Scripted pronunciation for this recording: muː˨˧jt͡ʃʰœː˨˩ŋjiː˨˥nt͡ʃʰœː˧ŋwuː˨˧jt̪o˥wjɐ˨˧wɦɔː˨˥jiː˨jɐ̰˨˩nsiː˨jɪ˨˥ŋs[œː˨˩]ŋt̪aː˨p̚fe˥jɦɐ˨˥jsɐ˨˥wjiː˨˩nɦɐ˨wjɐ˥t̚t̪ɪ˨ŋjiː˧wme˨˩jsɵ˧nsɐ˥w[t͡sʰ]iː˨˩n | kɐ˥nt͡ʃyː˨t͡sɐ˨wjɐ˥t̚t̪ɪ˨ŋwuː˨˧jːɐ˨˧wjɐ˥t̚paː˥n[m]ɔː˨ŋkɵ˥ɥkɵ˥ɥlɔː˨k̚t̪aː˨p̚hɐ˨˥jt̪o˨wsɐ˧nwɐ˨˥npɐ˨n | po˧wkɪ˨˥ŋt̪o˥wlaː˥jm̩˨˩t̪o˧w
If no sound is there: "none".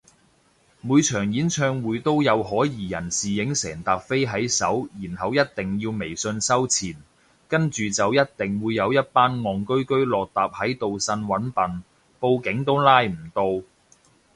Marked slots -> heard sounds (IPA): ɛː˨˩, t͡sʰ, ŋ

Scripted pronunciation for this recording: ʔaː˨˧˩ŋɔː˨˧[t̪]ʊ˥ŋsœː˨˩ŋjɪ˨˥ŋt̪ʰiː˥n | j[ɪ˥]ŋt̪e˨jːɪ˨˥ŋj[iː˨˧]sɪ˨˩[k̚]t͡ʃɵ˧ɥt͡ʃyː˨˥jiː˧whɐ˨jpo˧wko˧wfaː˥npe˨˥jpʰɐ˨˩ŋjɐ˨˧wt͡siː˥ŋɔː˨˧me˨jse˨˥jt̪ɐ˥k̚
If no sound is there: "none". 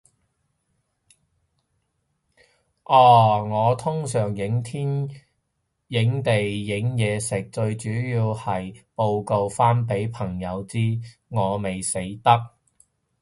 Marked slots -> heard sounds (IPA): t̪ʰ, ɪ˨˥, ɛː˨˧, k̚

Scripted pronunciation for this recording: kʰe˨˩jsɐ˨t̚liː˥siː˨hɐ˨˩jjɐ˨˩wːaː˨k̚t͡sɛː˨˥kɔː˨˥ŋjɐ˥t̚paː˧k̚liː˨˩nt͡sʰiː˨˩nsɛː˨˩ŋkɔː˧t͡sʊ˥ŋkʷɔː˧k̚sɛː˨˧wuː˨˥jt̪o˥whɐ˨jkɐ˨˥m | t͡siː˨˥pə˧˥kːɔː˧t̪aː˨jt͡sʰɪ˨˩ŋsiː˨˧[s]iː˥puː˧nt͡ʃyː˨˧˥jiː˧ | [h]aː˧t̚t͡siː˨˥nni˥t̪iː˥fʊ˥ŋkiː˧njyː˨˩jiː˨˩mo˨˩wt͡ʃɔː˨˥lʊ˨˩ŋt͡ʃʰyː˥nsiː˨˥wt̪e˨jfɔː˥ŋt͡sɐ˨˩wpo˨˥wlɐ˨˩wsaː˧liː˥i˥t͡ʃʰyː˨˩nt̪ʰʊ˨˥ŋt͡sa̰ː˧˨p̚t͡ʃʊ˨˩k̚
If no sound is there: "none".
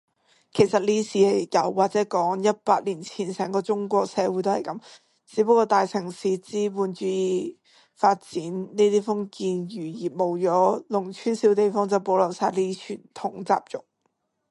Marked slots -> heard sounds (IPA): t͡s, f

